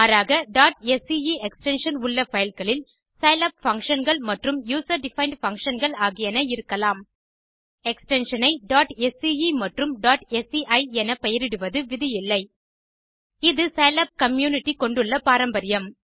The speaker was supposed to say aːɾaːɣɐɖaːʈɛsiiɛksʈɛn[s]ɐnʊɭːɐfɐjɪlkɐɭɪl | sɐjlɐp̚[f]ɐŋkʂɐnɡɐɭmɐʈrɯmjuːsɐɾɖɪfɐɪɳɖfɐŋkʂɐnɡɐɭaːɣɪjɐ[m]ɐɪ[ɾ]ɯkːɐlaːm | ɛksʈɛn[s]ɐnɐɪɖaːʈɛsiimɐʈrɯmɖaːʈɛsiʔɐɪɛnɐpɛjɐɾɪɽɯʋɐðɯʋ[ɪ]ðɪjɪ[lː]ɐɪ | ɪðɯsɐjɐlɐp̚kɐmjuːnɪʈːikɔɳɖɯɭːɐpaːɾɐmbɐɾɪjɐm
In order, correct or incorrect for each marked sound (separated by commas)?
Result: incorrect, correct, incorrect, correct, incorrect, correct, correct